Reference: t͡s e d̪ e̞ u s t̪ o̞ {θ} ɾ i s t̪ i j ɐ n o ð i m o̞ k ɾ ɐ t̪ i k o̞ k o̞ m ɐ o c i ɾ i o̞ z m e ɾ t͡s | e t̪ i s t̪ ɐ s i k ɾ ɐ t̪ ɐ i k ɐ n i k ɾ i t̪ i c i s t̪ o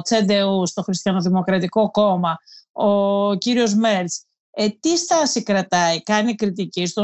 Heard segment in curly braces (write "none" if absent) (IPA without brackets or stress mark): x